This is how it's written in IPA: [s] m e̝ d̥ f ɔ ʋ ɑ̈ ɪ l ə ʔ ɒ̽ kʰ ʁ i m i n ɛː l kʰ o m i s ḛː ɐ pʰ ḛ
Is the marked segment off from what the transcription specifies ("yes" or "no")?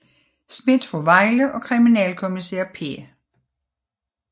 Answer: no